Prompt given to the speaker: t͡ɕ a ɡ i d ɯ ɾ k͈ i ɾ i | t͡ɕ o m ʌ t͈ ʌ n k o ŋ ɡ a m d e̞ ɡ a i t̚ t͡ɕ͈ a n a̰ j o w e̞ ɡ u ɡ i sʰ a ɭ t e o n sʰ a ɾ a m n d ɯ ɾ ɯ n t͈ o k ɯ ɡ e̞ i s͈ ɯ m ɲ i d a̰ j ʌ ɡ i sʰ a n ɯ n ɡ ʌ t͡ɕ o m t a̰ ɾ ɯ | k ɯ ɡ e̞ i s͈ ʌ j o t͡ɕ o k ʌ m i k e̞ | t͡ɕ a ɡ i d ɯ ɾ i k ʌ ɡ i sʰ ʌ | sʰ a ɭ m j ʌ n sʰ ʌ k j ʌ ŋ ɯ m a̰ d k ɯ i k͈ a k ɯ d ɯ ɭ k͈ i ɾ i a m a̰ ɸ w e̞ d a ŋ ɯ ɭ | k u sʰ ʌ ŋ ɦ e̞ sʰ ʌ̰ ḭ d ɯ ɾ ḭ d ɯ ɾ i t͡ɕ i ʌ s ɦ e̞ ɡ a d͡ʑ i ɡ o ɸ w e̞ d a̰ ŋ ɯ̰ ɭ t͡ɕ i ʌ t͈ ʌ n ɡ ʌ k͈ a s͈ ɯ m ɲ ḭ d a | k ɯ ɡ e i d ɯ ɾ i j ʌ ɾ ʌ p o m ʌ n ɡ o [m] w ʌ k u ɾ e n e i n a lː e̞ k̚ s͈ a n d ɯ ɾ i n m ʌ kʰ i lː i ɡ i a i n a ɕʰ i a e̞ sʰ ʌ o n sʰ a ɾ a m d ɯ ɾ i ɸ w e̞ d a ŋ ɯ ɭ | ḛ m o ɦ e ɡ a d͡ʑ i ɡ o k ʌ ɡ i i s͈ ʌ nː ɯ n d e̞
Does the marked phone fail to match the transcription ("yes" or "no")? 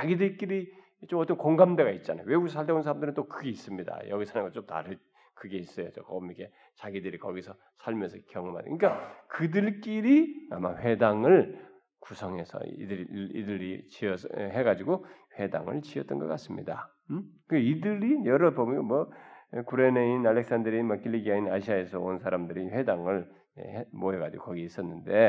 no